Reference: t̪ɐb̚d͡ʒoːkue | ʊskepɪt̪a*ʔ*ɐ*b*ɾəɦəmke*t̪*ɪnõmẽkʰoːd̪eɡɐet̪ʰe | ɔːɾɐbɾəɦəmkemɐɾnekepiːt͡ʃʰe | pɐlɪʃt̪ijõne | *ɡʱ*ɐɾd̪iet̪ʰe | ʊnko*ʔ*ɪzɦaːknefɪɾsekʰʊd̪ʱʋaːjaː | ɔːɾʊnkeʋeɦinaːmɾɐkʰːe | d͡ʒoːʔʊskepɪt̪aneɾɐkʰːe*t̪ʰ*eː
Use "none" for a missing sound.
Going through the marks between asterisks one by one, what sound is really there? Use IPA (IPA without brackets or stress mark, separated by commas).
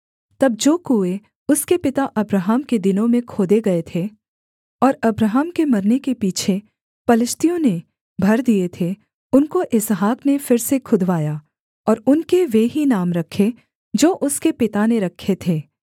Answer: ʔ, b, d̪, bʱ, ʔ, t̪ʰ